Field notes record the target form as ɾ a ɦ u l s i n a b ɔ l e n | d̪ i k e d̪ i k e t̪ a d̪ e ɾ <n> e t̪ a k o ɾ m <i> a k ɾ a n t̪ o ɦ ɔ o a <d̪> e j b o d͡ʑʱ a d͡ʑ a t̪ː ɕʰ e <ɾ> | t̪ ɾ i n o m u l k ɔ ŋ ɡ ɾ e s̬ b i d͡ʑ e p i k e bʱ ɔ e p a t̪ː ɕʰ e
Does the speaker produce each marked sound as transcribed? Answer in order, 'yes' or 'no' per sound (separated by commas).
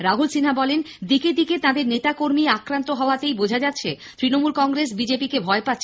yes, yes, no, no